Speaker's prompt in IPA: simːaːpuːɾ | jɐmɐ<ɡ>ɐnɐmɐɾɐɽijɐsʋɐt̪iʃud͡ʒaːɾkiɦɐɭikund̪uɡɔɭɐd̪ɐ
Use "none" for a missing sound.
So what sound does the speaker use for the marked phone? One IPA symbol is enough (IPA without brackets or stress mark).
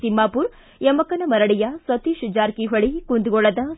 k